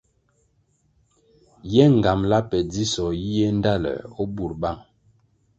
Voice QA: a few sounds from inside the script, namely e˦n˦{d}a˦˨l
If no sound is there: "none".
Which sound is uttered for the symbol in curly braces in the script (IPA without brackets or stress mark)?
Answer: d